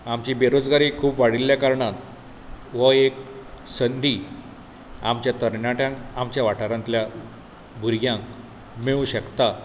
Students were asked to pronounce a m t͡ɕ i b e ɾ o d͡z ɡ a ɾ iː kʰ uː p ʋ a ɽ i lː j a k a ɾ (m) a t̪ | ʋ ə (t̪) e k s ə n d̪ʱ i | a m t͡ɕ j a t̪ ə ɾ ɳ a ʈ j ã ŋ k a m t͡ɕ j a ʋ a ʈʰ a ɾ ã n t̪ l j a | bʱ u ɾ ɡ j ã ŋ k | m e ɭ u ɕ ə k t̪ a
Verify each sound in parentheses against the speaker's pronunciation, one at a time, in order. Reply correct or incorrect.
incorrect, incorrect

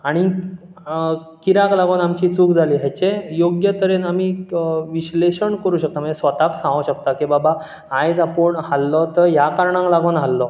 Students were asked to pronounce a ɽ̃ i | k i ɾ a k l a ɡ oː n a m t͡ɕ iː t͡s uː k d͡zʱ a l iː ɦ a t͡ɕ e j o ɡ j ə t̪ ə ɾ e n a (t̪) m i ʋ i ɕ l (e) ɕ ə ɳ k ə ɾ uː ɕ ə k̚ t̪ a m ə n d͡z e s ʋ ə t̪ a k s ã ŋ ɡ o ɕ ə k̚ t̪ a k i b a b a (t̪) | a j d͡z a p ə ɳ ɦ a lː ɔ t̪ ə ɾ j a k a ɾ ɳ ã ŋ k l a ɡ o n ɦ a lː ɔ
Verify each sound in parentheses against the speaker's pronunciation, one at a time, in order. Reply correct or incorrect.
incorrect, correct, incorrect

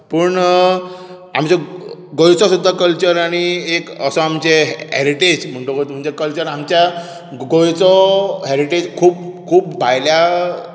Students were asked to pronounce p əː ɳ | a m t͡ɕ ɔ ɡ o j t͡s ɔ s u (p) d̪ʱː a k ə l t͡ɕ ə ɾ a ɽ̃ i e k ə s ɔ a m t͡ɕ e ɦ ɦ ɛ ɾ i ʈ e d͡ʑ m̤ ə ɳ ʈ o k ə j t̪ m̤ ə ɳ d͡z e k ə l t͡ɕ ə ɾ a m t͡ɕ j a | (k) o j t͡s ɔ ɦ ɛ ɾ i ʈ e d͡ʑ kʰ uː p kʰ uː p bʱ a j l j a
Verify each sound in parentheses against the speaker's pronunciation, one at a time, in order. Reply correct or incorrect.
incorrect, incorrect

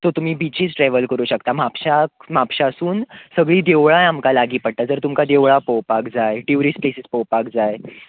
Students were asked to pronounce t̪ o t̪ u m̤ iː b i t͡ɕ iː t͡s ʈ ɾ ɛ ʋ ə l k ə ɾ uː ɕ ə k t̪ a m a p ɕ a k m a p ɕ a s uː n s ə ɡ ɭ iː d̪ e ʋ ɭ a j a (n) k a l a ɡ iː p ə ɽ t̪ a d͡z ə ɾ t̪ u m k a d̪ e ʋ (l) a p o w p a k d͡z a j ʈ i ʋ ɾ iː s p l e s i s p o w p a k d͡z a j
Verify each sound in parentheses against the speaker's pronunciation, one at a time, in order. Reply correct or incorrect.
incorrect, incorrect

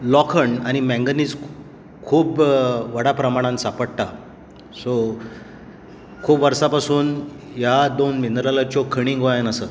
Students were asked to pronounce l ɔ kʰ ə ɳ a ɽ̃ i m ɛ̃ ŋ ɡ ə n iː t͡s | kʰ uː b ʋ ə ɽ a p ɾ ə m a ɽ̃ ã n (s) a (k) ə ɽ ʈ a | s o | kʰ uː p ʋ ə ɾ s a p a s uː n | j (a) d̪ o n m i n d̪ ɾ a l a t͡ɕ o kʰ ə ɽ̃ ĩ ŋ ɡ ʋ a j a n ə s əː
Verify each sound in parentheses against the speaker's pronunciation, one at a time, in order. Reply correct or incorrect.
correct, incorrect, correct

